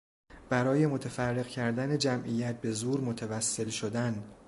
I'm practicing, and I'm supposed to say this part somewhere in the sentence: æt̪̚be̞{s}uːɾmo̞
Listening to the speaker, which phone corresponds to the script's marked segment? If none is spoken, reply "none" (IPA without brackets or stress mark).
z